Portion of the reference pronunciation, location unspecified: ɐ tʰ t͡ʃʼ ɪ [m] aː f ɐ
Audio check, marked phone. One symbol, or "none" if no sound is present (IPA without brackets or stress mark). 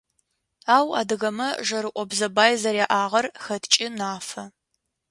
n